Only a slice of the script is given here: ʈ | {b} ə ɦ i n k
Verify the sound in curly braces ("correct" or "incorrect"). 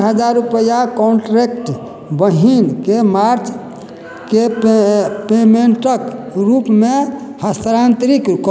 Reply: correct